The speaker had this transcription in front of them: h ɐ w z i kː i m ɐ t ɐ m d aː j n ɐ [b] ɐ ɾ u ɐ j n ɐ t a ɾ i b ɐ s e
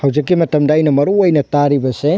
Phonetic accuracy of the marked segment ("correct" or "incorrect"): incorrect